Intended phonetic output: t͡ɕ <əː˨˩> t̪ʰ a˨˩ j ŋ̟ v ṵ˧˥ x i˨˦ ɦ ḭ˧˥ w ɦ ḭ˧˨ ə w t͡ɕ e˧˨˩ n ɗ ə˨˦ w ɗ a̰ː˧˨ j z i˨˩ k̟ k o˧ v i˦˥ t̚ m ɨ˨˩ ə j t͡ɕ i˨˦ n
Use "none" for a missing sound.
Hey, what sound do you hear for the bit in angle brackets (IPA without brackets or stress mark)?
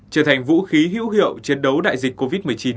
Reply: əː˨˩